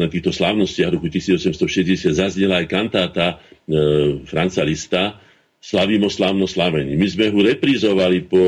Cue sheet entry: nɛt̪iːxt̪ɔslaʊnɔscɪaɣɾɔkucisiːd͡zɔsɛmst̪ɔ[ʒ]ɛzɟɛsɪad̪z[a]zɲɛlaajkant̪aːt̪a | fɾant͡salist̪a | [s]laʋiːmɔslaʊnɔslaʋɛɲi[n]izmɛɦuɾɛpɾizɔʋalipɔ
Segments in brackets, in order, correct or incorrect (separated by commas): incorrect, correct, correct, incorrect